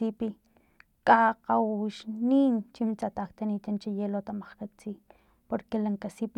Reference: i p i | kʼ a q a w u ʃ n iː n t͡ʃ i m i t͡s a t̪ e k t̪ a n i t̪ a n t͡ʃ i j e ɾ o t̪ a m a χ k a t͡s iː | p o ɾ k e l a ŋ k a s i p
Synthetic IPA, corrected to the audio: i p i | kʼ a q a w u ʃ n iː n t͡ʃ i m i t͡s a t̪ a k t̪ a n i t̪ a n t͡ʃ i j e l o t̪ a m a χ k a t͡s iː | p o ɾ k e l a ŋ k a s i p